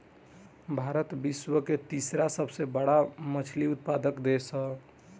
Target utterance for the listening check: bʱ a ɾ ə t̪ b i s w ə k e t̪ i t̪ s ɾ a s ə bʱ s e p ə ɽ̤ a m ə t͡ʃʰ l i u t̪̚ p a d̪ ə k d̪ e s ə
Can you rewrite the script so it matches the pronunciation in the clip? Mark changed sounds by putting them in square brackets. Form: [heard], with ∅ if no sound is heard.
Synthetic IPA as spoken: bʱ a ɾ ə t̪ b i s w ə k e t̪ i [∅] s ɾ a s ə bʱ s e [b] ə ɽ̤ a m ə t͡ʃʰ l i u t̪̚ p a d̪ ə k d̪ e s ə